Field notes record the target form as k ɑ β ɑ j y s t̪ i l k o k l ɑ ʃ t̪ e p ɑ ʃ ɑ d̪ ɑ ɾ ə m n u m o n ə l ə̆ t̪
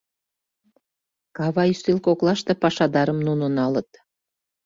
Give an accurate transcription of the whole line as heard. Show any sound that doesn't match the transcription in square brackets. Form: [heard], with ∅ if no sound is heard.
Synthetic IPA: k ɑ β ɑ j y s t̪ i l k o k l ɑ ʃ t̪ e p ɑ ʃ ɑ d̪ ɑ ɾ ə m n u [n] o n [ɑ] l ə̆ t̪